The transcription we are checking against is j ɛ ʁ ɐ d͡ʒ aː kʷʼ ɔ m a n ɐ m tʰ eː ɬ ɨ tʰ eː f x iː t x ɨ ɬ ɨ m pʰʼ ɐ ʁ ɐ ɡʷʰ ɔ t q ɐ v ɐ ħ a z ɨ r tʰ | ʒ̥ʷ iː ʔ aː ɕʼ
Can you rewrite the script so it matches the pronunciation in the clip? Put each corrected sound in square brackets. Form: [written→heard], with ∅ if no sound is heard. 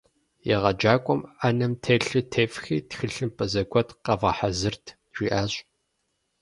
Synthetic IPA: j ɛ ʁ ɐ d͡ʒ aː kʷʼ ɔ m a n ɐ m tʰ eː ɬ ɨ tʰ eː f x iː t x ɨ ɬ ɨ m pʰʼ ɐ [ʁ→z] ɐ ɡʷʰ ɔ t q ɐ v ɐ ħ a z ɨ r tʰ | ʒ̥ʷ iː ʔ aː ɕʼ